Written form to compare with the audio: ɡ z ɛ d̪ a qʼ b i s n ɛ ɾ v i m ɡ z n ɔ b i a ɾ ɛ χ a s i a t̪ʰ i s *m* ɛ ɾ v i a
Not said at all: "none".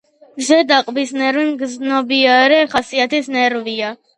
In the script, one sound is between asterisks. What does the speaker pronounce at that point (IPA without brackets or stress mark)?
n